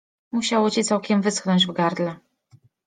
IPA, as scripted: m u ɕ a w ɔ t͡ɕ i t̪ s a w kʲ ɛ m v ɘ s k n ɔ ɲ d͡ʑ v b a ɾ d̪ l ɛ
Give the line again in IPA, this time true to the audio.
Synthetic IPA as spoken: m u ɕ a w ɔ t͡ɕ i t̪ s a w kʲ ɛ m v ɘ s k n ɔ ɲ d͡ʑ v ɡ a ɾ d̪ l ɛ